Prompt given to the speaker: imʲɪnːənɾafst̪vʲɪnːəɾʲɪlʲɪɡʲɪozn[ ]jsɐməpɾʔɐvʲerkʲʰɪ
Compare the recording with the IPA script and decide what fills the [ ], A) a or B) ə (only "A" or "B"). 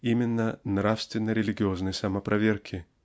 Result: B